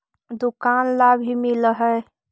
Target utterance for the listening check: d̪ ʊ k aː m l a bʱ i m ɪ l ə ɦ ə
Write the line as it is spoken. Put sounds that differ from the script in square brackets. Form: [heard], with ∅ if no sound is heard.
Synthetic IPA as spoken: d̪ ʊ k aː [n] l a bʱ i m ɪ l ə ɦ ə

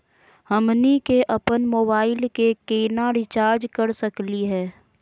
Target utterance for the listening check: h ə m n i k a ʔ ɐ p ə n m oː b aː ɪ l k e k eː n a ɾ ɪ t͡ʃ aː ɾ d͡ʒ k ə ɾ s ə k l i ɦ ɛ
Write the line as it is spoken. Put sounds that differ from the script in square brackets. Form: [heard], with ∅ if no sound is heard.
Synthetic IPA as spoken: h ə m n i k [e] ʔ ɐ p ə n m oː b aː ɪ l k e k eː n a ɾ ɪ t͡ʃ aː ɾ d͡ʒ k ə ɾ s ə k l i ɦ [ɛː]

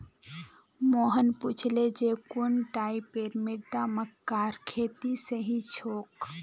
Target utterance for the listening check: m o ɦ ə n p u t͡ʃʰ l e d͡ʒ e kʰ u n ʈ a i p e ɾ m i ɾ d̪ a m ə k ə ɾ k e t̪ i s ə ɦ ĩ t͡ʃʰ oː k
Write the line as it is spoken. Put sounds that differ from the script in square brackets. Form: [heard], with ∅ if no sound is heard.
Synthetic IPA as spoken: m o ɦ ə n p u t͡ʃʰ l e d͡ʒ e [k] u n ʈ a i p e ɾ m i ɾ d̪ a m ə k [a] ɾ [kʰ] e t̪ i s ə ɦ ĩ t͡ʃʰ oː k

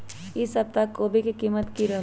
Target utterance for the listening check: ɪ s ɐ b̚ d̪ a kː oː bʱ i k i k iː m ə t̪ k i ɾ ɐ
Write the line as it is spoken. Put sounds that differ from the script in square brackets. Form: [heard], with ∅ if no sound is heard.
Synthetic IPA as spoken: ɪ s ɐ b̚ [t̪] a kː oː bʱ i k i k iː m ə t̪ k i ɾ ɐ

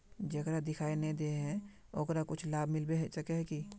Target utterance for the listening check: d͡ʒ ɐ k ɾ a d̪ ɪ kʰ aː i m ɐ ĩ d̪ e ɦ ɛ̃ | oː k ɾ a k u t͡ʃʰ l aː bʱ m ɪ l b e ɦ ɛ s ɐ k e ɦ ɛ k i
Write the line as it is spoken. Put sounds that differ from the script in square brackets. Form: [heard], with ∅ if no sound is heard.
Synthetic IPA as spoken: d͡ʒ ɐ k ɾ a d̪ ɪ kʰ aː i [n] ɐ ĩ d̪ e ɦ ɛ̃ | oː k ɾ a k [ʊ] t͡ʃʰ l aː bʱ m ɪ l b e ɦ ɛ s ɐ k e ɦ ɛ k i

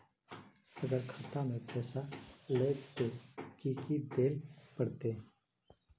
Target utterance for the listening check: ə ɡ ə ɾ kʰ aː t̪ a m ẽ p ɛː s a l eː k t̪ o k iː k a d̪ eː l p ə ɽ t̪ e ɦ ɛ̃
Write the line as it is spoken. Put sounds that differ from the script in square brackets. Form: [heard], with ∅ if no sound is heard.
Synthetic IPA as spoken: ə ɡ ə ɾ kʰ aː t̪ a m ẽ p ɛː s a l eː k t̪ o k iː k [i] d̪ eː l p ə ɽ t̪ e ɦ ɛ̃

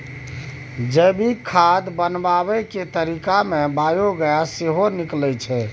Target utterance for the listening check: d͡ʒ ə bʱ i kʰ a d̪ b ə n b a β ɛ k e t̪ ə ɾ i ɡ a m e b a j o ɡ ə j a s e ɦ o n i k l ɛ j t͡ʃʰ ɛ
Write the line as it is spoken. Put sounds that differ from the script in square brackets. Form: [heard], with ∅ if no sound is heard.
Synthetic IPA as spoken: d͡ʒ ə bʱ i kʰ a d̪ b ə n b a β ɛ k e t̪ ə ɾ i [k] a m e b a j o ɡ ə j a s e ɦ o n i k l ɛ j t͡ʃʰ ɛ

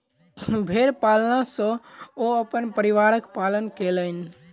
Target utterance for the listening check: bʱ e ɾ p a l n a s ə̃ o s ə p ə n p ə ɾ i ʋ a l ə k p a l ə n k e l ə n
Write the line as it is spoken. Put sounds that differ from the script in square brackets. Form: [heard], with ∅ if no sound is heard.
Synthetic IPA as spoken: bʱ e ɾ p a l n a s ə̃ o [∅] ə p ə n p ə ɾ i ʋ a [ɾ] ə k p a l ə n k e l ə n

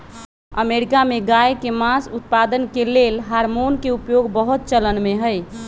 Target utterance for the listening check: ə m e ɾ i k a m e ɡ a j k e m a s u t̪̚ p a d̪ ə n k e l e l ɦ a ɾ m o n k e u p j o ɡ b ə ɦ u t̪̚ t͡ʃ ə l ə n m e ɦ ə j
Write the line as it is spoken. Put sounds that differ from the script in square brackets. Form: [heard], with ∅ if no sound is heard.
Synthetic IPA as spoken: ə m e ɾ i k a m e ɡ a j k e m a s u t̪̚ p a d̪ ə n k e l e l ɦ a ɾ m o n k e u p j o ɡ b ə ɦ u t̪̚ t͡ʃ ə l ə n m e ɦ ə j

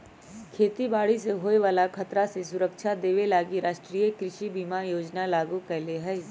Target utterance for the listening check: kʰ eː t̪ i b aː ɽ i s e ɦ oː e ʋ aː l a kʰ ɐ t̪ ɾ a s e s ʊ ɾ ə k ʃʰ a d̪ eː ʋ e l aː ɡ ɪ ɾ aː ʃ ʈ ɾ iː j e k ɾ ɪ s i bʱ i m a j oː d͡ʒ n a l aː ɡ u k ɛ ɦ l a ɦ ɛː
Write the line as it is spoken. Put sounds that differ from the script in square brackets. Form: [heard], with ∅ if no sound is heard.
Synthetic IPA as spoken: kʰ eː t̪ i b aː ɽ i s e ɦ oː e ʋ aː l a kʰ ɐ t̪ ɾ a s e s ʊ ɾ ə k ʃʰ a d̪ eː ʋ e l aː ɡ [i] ɾ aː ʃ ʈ ɾ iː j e k ɾ ɪ [ʃ] i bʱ i m a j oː d͡ʒ n a l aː ɡ u k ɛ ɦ l [e] ɦ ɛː

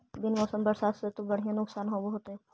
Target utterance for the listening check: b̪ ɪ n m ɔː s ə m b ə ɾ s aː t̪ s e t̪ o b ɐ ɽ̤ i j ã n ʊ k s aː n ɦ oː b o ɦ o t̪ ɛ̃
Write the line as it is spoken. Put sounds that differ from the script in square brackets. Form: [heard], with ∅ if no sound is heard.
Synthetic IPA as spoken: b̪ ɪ n m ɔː s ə m b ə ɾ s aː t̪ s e t̪ o b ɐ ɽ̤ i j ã n ʊ k s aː n ɦ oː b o ɦ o t̪ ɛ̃

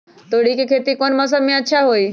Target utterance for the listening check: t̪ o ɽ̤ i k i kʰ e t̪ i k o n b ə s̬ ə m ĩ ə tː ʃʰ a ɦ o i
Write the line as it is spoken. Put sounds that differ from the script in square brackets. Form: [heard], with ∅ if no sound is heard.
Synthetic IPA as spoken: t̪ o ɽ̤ i k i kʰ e t̪ i k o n [m] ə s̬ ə m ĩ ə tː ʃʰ a ɦ o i

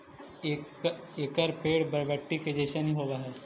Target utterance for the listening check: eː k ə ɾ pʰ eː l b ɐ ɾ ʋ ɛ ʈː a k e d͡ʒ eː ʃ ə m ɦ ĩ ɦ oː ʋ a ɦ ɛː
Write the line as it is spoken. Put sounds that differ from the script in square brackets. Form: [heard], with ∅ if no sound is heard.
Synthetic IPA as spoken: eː k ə ɾ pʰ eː [ɽ] b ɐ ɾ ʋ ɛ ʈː [i] k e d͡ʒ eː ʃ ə [n] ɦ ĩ ɦ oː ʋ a ɦ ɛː

